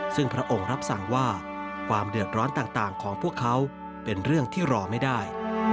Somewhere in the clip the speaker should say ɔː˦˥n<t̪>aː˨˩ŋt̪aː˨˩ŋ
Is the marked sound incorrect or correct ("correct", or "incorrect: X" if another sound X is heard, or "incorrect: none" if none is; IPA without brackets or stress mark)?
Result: correct